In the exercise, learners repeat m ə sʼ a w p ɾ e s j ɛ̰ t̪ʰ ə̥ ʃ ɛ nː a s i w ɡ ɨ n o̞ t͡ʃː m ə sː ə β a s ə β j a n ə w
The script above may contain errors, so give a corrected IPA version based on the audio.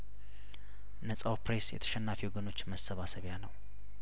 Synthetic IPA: n ə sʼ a w p ɾ e s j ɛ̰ t̪ʰ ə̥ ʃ ɛ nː a f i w ɡ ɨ n o̞ t͡ʃː m ə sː ə β a s ə β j a n ə w